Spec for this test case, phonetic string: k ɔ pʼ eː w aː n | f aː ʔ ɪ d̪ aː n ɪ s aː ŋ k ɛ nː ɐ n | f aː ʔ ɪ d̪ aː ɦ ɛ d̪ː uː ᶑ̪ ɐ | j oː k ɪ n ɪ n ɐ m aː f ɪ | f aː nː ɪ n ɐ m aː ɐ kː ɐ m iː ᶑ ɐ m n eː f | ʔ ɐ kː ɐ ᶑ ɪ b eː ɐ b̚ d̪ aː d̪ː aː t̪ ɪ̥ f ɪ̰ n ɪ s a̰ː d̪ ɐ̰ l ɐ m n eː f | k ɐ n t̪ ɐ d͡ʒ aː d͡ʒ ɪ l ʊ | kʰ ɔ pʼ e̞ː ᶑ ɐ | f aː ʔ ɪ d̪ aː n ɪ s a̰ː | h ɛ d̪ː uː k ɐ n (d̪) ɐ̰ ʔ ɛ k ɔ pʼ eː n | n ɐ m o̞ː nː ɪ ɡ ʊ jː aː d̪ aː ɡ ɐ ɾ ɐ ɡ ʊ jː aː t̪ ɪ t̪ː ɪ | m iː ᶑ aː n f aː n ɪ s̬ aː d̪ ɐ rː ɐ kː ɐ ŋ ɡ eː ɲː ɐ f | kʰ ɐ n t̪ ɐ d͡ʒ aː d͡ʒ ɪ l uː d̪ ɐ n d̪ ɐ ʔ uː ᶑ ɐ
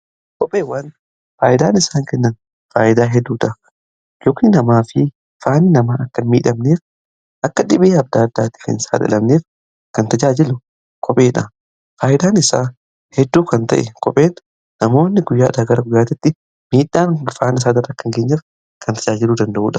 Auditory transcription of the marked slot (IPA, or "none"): t̪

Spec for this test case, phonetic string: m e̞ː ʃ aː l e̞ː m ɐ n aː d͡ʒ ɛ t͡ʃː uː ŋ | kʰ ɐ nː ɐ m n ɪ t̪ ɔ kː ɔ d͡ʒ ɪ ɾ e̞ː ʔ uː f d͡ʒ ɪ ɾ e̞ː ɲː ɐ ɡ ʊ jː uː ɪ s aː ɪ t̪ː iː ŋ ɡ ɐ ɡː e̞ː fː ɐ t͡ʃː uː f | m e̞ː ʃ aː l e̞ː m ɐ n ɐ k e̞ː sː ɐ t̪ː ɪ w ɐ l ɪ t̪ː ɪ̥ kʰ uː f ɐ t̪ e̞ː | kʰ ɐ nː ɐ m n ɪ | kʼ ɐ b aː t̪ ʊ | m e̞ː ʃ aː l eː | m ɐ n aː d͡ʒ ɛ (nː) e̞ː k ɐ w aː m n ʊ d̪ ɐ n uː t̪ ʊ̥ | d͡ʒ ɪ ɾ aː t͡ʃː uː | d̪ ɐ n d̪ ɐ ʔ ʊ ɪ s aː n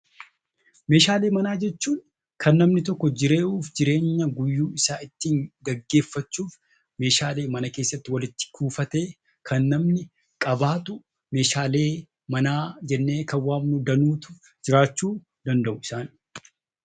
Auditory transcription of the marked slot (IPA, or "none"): nː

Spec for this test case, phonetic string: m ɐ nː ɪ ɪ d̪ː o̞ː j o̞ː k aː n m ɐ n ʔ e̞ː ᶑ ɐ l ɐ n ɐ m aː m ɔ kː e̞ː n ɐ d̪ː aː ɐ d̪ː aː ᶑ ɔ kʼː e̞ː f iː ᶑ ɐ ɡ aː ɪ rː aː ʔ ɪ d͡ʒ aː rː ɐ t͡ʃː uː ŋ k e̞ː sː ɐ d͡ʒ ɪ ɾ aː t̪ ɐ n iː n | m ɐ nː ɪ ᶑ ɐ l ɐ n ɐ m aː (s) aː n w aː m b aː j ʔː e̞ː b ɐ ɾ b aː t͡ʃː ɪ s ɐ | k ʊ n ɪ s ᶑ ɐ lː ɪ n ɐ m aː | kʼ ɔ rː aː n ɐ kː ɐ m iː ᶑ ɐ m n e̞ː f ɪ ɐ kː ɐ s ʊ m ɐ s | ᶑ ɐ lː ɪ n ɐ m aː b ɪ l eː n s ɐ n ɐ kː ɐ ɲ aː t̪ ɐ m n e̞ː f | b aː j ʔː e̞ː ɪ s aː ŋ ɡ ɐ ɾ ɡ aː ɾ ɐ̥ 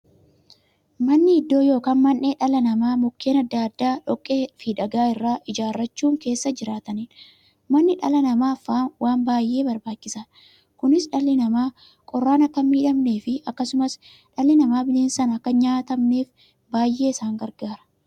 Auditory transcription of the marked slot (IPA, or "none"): f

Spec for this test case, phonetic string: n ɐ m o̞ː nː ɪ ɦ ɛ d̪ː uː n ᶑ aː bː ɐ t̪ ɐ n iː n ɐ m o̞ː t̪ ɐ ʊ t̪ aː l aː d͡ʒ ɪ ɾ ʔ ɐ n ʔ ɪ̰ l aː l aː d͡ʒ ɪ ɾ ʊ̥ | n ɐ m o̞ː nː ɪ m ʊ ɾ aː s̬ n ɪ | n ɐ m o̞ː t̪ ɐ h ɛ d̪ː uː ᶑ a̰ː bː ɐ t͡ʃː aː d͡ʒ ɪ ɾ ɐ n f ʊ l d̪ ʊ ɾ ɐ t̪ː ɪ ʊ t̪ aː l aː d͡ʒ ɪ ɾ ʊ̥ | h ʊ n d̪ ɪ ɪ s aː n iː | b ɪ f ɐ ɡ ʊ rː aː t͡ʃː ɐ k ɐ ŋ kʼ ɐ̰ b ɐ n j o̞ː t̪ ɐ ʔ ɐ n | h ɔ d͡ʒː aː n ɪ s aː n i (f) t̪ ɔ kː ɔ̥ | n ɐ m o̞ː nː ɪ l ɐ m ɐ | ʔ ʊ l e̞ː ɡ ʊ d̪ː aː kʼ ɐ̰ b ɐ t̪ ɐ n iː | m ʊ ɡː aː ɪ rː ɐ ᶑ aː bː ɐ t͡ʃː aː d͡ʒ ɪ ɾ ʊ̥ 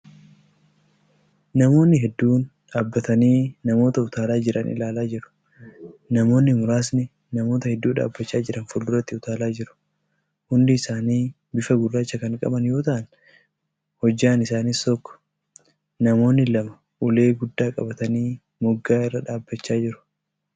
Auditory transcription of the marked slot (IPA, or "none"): s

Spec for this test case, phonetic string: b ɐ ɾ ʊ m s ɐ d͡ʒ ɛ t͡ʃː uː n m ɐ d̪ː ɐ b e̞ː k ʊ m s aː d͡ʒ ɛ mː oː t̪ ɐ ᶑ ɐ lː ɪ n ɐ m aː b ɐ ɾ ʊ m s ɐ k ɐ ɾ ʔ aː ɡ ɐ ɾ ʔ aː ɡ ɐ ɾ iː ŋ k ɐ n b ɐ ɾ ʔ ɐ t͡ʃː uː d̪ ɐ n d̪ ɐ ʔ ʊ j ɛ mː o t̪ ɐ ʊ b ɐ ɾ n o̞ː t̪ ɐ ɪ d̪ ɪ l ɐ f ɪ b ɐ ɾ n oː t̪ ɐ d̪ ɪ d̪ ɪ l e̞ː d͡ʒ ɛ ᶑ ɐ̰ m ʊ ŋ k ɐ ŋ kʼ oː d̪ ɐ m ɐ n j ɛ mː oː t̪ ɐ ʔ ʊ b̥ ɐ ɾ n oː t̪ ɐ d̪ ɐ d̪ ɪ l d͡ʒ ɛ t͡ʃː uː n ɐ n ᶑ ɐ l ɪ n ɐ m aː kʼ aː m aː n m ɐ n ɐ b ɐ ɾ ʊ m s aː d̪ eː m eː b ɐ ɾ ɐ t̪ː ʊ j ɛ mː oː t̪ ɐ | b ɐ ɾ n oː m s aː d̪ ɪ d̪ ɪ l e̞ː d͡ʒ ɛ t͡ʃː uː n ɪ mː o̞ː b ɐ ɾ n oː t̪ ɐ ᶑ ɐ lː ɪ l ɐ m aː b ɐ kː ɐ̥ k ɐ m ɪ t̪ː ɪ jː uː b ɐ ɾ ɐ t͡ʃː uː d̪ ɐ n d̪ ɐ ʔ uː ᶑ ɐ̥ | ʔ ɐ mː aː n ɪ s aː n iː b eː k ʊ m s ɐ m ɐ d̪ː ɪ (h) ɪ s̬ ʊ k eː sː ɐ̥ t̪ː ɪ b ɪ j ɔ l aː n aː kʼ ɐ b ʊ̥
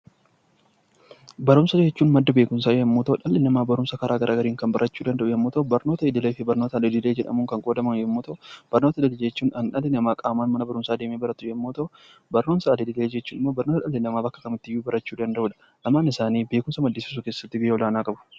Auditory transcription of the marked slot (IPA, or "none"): s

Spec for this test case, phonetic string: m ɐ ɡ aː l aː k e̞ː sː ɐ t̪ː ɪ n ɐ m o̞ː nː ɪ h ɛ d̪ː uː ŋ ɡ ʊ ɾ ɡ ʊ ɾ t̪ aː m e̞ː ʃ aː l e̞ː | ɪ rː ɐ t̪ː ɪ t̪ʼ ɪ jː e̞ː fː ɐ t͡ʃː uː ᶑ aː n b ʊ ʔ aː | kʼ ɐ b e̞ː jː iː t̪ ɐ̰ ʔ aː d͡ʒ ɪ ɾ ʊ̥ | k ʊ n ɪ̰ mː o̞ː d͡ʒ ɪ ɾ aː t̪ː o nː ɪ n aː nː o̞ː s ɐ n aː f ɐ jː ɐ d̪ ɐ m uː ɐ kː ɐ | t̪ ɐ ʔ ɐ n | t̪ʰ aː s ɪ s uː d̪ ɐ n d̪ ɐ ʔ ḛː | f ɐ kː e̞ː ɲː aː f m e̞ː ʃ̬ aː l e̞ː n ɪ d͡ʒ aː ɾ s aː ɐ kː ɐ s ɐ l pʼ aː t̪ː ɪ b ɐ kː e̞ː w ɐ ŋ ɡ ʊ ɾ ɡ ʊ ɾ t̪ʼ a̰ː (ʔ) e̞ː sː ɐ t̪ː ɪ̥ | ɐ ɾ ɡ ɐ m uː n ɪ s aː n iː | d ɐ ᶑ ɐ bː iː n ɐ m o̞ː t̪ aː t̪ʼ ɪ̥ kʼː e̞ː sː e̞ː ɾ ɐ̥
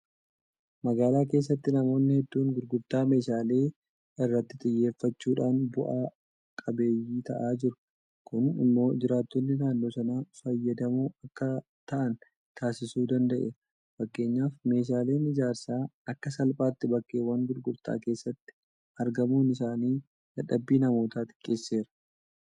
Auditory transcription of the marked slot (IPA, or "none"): k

